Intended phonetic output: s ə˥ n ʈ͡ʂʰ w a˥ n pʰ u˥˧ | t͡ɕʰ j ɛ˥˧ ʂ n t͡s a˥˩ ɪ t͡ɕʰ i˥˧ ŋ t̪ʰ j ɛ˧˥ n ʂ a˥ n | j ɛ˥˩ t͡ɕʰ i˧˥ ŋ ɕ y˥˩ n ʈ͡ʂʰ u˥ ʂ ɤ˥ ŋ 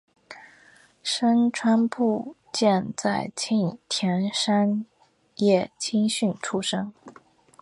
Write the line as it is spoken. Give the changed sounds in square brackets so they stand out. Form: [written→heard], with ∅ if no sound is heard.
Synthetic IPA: [s→ʂ] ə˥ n ʈ͡ʂʰ w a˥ n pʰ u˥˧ | [t͡ɕʰ→t͡ɕ] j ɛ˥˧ [ʂ→∅] n t͡s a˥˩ ɪ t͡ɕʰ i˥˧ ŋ t̪ʰ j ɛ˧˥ n ʂ a˥ n | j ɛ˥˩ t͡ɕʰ [i˧˥→i˥] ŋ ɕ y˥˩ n ʈ͡ʂʰ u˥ ʂ ɤ˥ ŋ